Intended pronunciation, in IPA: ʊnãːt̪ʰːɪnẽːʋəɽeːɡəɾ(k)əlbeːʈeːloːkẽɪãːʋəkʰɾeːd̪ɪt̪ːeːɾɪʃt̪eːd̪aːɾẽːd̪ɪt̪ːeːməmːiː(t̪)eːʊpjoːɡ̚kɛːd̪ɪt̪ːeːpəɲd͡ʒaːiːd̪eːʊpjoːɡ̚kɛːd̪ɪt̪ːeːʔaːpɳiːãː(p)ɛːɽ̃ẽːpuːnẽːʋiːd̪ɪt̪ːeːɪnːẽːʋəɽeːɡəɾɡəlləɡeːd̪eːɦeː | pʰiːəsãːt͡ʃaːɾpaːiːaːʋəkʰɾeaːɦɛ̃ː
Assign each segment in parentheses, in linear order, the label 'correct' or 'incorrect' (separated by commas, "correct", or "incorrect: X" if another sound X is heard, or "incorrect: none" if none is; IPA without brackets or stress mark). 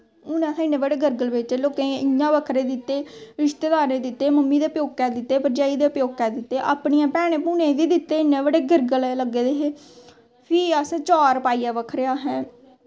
incorrect: ɡ, incorrect: d̪, correct